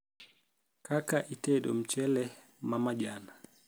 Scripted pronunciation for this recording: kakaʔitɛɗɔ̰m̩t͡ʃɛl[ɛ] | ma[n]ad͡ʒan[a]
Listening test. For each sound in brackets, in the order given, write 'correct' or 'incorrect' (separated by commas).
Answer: correct, incorrect, correct